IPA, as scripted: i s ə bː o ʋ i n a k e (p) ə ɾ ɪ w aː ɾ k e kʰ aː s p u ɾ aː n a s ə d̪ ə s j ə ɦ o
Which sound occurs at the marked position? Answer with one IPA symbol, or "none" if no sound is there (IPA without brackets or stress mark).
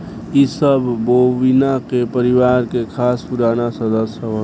p